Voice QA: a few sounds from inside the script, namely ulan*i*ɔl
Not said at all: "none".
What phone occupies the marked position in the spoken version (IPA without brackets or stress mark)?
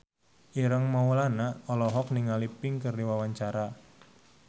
a